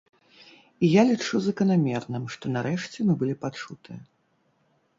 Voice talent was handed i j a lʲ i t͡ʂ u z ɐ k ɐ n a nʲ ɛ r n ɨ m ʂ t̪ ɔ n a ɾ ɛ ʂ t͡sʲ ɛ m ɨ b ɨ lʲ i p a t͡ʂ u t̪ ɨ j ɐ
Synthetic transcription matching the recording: i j a lʲ i t͡ʂ u z ɐ k ɐ n a mʲ ɛ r n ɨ m ʂ t̪ ɔ n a ɾ ɛ ʂ t͡sʲ ɛ m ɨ b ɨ lʲ i p a t͡ʂ u t̪ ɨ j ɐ